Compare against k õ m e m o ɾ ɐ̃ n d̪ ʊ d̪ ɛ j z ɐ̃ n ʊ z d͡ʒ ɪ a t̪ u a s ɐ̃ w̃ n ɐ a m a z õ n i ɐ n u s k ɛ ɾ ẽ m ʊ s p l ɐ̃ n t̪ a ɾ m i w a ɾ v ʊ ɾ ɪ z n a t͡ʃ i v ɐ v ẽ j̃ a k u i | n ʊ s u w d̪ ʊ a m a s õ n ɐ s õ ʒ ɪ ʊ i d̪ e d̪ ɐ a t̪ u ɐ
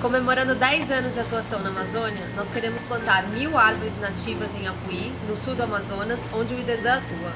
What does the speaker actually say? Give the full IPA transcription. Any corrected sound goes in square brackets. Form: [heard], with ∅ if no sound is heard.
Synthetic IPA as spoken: k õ m e m o ɾ ɐ̃ n d̪ ʊ d̪ ɛ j z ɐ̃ n ʊ z d͡ʒ ɪ a t̪ u a s ɐ̃ w̃ n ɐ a m a z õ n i ɐ n [ɔ] s k [e] ɾ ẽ m ʊ s p l ɐ̃ n t̪ a ɾ m i w a ɾ v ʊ ɾ ɪ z n a t͡ʃ i v ɐ [z] ẽ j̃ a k u i | n ʊ s u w d̪ ʊ a m a [z] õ n ɐ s õ [d͡ʒ] ɪ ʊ i d̪ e d̪ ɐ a t̪ u ɐ